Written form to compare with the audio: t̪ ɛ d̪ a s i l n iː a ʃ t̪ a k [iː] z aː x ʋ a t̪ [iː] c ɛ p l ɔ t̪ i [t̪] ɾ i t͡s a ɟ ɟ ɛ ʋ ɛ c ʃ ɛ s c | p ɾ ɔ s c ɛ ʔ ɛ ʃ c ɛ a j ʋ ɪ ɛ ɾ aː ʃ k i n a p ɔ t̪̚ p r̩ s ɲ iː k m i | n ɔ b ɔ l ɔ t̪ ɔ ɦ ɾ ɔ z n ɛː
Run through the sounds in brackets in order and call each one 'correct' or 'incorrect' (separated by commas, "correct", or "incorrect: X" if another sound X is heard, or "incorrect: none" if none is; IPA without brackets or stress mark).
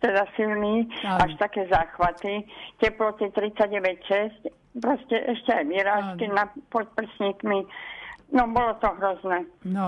incorrect: ɛː, incorrect: i, correct